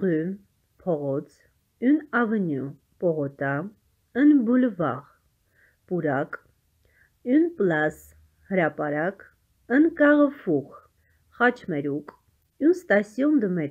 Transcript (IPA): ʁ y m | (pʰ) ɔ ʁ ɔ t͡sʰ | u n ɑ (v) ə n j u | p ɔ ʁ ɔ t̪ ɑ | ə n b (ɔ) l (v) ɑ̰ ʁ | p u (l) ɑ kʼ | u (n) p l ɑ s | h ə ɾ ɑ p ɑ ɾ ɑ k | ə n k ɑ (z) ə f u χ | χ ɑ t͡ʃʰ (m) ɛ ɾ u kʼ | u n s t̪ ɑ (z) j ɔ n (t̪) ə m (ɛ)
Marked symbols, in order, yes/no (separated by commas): yes, yes, no, yes, no, yes, no, yes, no, no, yes